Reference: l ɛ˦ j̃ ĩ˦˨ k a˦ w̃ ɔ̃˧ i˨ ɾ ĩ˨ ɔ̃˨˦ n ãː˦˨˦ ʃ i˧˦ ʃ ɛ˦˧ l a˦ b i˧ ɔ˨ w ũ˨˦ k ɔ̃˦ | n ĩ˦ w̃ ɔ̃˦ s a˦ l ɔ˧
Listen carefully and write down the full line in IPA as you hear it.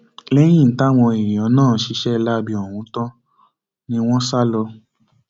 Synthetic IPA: l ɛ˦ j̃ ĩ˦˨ t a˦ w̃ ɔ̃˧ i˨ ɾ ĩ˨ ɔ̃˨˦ n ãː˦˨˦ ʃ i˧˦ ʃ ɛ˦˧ l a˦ b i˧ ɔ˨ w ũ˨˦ t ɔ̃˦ | n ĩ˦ w̃ ɔ̃˦ s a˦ l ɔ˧